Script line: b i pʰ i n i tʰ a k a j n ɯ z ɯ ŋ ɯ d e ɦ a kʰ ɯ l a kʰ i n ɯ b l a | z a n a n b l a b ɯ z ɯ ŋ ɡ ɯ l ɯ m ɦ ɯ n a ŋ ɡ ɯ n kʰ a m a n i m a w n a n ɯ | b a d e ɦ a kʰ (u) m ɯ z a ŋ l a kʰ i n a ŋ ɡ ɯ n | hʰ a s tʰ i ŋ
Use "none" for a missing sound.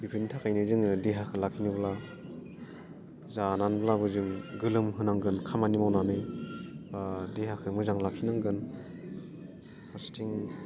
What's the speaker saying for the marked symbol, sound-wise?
ɯ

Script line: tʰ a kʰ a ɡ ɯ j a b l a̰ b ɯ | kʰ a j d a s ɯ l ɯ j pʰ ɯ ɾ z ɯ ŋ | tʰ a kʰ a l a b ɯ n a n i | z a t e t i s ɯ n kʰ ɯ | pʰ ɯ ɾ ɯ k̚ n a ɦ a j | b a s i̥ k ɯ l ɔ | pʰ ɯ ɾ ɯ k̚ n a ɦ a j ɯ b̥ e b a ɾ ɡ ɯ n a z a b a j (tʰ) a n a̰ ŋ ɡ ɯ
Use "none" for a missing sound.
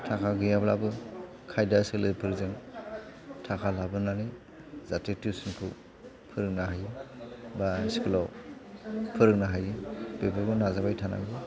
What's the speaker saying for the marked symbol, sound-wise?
tʰ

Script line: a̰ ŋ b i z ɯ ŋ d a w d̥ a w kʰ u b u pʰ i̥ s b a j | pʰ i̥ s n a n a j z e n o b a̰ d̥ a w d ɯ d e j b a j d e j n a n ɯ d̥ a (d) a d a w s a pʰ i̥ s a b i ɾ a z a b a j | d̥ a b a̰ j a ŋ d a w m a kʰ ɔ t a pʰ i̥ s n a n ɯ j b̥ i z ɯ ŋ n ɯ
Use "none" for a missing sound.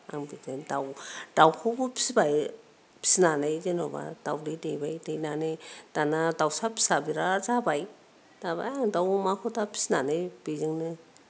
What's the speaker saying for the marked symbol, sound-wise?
n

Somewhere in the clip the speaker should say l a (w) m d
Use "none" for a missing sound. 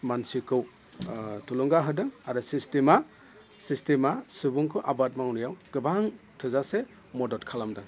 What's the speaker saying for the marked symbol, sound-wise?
none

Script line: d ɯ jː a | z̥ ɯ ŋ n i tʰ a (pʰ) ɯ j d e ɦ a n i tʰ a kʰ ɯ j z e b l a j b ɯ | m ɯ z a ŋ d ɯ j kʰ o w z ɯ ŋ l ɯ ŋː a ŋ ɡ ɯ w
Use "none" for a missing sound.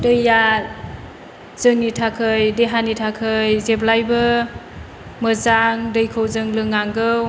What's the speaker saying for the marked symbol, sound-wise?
kʰ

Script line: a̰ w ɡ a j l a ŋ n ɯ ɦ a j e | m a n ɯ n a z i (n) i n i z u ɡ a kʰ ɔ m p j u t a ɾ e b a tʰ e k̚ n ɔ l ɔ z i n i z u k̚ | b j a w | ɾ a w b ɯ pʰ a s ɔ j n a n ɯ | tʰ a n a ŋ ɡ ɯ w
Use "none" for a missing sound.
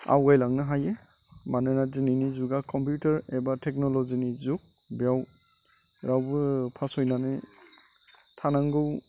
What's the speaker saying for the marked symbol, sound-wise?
n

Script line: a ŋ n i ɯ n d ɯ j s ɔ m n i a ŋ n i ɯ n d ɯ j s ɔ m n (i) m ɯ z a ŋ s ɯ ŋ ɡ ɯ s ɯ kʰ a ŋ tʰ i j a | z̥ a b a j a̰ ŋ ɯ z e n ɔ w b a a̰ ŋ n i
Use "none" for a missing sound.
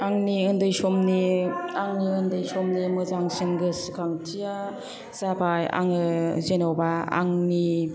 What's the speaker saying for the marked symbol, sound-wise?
i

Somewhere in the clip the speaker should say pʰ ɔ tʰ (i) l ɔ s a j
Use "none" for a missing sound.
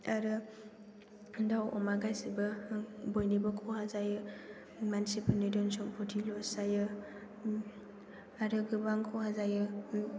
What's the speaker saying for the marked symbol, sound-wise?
i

